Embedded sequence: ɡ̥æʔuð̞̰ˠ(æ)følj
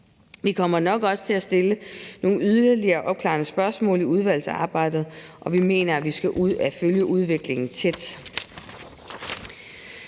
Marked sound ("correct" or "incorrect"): correct